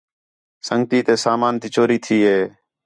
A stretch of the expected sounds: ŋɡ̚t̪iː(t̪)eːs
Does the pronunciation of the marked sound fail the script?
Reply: no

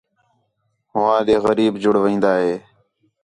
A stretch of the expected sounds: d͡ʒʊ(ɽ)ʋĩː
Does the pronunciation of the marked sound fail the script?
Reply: no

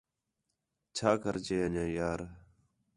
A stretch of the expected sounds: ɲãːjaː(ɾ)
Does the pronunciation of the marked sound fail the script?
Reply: no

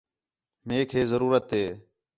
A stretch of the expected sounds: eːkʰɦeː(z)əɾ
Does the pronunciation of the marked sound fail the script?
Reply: no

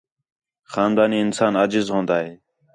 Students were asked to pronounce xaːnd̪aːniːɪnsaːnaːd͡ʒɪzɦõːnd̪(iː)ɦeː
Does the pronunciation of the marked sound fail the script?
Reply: yes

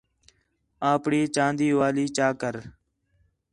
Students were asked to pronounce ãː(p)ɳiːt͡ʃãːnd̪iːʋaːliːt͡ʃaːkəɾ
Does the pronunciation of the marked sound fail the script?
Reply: no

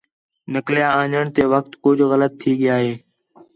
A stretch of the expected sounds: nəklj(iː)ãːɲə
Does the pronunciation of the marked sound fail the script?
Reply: yes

